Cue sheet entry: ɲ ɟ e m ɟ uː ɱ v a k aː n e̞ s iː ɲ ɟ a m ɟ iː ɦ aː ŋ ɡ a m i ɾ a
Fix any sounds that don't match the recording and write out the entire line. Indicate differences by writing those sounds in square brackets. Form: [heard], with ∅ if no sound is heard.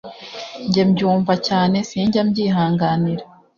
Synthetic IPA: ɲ ɟ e m ɟ uː ɱ v a [c] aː n e̞ s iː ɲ ɟ a m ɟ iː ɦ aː ŋ ɡ a [n] i ɾ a